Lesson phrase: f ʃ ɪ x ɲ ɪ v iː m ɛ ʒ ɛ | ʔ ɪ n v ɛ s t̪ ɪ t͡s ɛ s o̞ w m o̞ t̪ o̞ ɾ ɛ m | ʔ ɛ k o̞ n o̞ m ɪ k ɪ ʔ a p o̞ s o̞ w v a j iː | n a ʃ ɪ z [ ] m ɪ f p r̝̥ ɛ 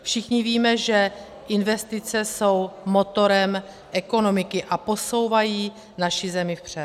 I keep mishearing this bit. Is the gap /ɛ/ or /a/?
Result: ɛ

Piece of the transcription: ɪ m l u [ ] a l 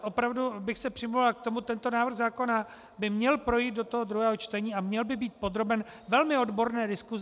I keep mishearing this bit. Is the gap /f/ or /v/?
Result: v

